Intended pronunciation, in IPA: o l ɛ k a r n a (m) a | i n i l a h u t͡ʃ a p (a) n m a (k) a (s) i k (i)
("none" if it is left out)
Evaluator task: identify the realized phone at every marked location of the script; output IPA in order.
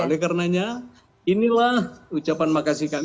ɲ, a, k, s, a

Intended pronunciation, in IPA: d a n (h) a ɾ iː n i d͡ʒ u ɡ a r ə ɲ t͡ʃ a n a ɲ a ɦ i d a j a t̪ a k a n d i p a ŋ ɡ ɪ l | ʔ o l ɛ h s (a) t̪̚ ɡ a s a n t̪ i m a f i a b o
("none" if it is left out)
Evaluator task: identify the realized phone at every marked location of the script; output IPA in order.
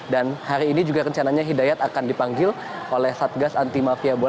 h, a

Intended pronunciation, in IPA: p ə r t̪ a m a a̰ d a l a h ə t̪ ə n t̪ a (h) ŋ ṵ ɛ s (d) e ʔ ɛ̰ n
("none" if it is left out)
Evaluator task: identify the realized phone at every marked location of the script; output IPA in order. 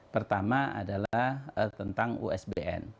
none, b

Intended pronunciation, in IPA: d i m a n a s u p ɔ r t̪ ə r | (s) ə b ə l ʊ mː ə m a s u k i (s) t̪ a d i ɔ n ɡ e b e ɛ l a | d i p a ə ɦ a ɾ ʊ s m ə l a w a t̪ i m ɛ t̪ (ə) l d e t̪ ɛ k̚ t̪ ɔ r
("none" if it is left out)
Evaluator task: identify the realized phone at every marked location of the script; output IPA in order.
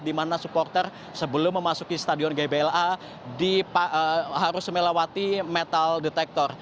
s, s, a

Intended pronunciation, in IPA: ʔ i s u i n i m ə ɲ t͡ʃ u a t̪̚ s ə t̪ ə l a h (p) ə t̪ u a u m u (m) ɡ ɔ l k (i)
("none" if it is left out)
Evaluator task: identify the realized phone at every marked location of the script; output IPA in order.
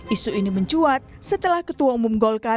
k, m, a

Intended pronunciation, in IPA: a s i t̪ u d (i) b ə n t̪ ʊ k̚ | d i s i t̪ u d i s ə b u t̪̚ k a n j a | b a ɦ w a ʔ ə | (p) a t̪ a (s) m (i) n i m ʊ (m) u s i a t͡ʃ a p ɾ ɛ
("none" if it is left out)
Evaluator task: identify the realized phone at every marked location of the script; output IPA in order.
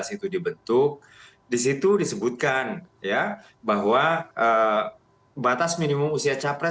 i, b, s, i, m

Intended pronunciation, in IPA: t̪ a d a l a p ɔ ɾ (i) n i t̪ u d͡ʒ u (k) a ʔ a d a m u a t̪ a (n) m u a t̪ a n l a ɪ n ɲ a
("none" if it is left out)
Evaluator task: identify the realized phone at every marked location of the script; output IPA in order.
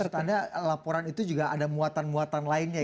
a, ɡ, n

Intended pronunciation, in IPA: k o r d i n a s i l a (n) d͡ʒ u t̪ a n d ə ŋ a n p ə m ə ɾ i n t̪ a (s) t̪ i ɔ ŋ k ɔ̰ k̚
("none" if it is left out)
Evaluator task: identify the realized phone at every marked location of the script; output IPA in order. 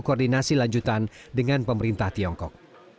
ɲ, h

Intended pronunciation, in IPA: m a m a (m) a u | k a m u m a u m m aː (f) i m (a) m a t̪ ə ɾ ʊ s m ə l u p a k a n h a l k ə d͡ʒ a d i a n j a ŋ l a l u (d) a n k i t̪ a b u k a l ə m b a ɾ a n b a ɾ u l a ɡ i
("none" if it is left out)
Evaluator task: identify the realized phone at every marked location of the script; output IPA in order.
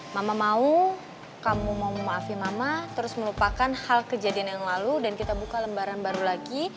m, f, a, d

